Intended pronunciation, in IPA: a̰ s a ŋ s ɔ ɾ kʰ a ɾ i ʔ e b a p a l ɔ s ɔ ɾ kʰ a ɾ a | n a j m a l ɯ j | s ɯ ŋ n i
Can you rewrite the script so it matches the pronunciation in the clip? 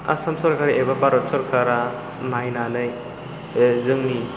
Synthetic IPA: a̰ s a m s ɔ ɾ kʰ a ɾ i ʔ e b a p a ɾ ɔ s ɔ ɾ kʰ a ɾ a | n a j n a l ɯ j | z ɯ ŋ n i